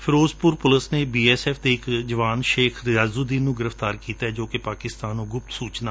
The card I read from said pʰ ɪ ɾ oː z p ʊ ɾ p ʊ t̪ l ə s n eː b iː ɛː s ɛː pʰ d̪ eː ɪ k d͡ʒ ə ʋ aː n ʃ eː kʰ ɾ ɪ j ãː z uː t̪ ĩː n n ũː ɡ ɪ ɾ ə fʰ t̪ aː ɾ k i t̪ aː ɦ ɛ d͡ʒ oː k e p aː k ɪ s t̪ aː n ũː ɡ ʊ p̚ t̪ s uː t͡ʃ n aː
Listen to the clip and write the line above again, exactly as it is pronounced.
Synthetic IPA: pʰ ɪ ɾ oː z p ʊ ɾ p ʊ l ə s n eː b iː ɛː s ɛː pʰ d̪ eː ɪ k d͡ʒ ə ʋ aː n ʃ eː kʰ ɾ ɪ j aː z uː d̪ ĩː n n ũː ɡ ɪ ɾ ə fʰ t̪ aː ɾ k iː t̪ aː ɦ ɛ d͡ʒ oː k e p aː k ɪ s t̪ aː n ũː ɡ ʊ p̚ t̪ s uː t͡ʃ n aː